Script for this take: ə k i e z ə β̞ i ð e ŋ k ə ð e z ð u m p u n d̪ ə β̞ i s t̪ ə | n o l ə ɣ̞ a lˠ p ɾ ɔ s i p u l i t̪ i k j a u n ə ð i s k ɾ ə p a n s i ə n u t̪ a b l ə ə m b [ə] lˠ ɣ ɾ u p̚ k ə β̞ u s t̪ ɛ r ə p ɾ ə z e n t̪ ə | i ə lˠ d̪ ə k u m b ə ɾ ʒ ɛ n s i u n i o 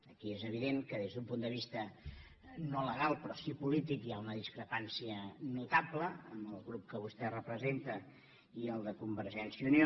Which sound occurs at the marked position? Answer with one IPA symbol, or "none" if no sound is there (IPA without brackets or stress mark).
ə